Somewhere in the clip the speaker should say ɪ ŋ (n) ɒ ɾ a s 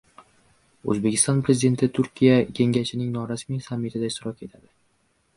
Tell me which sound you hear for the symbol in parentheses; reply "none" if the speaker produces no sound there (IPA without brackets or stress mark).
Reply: n